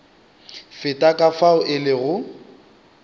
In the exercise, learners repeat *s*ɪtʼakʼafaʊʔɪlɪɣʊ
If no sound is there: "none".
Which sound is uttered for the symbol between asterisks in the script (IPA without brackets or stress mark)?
f